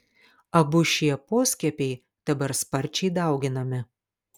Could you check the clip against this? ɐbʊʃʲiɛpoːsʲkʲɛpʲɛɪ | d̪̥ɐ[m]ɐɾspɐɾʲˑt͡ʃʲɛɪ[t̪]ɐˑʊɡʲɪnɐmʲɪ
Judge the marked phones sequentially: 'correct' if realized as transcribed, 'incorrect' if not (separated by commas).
incorrect, incorrect